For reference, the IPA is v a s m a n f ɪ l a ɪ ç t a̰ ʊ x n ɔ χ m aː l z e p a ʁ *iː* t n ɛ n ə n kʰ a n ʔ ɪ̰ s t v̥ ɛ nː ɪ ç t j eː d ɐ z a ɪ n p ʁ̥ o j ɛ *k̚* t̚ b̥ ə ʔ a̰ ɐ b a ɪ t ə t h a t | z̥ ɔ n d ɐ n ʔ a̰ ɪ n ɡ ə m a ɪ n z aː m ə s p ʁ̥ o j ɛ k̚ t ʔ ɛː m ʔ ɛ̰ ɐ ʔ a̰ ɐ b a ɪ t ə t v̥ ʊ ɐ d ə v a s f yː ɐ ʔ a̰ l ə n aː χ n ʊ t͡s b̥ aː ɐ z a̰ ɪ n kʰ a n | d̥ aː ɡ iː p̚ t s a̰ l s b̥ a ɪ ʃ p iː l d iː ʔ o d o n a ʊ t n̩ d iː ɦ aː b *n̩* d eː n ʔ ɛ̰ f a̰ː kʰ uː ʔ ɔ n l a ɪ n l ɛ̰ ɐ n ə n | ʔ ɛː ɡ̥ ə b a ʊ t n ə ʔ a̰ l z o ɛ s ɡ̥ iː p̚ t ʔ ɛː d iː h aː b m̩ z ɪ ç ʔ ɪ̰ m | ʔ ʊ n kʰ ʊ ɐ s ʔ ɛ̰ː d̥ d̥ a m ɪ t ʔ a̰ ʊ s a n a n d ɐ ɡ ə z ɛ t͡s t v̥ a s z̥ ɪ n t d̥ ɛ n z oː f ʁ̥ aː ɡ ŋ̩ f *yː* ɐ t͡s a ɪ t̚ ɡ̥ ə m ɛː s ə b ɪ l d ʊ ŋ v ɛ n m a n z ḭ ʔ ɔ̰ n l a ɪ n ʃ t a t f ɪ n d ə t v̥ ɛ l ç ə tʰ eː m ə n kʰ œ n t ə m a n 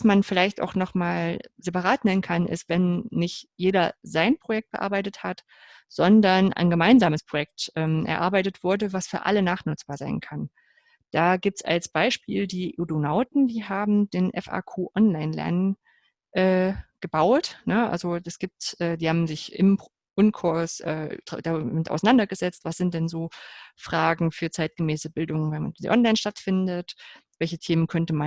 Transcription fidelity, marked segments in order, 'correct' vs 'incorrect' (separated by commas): incorrect, correct, incorrect, correct